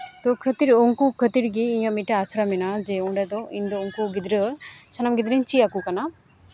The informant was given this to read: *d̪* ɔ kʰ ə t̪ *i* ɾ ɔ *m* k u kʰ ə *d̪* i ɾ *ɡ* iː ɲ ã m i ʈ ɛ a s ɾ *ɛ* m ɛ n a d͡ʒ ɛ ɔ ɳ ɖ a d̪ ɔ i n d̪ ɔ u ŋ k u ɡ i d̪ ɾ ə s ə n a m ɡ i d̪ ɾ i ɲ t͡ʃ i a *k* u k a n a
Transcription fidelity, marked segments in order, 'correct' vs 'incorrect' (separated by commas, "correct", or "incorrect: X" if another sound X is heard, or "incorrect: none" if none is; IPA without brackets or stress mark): incorrect: t̪, correct, incorrect: ŋ, incorrect: t̪, correct, incorrect: a, correct